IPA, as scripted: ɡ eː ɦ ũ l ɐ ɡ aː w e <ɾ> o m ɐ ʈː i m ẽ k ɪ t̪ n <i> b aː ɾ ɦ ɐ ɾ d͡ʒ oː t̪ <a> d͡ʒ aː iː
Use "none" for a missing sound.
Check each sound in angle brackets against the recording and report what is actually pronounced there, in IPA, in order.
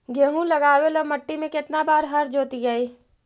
l, a, i

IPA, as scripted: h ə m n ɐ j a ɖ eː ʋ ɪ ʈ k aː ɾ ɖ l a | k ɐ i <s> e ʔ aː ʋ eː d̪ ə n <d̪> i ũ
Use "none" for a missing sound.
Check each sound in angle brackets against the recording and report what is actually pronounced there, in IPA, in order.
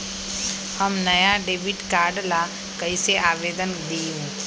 s, d̪

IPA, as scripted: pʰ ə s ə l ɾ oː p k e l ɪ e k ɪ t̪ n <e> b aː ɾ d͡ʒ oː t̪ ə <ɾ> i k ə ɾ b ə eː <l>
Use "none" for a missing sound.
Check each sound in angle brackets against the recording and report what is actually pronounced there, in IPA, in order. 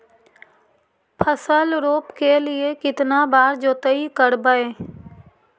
a, none, none

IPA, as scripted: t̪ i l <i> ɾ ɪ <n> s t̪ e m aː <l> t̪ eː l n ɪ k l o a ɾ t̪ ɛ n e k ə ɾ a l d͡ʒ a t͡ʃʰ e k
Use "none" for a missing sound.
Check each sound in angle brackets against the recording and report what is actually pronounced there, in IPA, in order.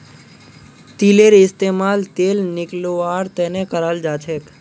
e, none, l

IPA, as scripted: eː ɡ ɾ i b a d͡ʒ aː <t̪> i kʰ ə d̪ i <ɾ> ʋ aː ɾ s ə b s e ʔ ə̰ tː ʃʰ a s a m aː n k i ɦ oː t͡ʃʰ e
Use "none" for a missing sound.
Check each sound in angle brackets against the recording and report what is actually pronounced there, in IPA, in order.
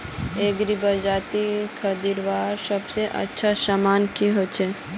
t̪, ɾ

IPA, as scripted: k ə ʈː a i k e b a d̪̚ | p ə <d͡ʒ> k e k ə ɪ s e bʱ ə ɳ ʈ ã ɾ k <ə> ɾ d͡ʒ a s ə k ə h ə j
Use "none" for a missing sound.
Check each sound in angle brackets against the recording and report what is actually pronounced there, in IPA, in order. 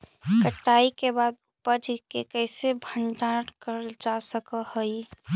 d͡ʒ, ə

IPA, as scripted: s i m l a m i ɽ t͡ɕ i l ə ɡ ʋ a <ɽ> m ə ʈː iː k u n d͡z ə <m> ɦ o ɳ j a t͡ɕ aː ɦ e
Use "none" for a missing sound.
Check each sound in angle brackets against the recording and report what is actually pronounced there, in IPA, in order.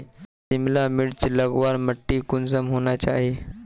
ɾ, m

